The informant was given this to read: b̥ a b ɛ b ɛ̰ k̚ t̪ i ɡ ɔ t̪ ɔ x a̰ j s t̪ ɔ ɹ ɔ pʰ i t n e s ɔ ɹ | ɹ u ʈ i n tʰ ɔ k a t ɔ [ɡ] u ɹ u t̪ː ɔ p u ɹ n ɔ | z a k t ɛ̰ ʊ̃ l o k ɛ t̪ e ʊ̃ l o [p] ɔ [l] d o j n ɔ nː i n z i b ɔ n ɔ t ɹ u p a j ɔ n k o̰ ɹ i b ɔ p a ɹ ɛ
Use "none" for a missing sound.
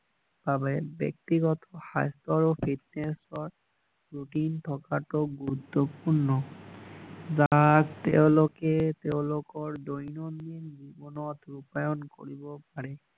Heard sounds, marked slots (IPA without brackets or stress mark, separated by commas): ɡ, k, ɹ